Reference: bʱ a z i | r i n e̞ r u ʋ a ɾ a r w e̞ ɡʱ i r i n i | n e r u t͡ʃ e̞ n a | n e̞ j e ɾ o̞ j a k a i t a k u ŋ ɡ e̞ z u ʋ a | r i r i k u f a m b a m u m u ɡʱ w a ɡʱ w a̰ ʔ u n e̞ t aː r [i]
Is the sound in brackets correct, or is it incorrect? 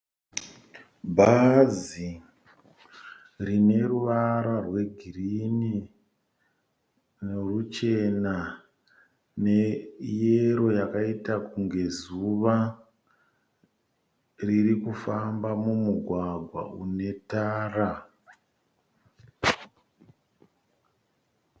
incorrect